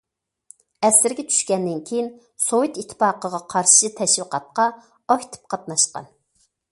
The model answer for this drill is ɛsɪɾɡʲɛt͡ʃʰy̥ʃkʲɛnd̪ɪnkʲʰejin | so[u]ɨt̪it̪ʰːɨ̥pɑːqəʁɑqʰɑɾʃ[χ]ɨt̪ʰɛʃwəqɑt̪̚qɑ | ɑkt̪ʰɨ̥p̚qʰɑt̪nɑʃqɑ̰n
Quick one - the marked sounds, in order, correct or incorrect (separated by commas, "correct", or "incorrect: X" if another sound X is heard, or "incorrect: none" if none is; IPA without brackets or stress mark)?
incorrect: w, incorrect: ʃ